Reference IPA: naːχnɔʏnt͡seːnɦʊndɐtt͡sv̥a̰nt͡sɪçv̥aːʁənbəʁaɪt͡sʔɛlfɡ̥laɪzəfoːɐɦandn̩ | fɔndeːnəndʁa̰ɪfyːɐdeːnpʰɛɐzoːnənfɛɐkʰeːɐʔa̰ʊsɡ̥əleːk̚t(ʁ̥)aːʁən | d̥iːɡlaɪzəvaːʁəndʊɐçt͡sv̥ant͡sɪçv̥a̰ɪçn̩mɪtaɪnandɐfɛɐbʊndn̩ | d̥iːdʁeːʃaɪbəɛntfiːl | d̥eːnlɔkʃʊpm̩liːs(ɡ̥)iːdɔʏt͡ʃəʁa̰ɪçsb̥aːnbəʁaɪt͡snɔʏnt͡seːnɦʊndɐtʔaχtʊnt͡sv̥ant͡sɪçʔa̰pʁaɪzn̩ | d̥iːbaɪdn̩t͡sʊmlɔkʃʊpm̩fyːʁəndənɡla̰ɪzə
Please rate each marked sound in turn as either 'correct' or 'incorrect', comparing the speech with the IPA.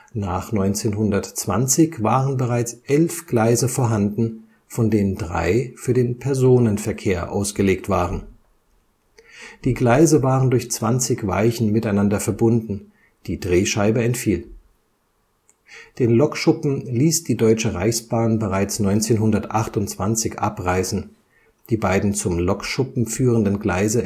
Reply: incorrect: v̥, incorrect: d̥

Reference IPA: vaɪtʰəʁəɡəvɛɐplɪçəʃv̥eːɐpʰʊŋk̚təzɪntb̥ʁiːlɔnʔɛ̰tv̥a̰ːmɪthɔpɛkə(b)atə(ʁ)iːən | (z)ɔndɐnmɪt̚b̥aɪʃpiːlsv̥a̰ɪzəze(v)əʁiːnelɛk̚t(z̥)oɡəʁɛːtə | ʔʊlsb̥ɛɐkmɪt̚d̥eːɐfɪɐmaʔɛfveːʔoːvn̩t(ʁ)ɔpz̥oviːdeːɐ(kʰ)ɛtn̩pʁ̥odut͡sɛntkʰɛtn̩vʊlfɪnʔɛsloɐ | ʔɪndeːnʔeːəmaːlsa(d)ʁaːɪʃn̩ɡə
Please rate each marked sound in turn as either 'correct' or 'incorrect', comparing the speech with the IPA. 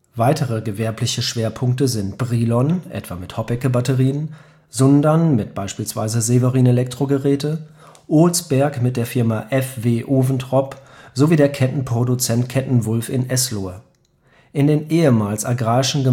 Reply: correct, correct, correct, correct, incorrect: ʁ̥, correct, correct, incorrect: ɡ

